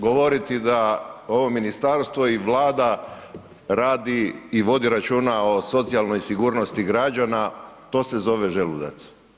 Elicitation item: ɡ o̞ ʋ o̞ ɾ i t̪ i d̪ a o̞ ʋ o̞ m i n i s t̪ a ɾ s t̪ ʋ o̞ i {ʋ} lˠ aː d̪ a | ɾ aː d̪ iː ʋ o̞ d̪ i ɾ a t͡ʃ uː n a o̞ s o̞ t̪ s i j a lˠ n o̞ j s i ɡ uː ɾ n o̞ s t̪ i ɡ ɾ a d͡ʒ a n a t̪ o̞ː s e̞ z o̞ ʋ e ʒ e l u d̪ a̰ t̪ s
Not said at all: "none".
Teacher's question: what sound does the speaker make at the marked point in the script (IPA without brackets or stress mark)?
ʋ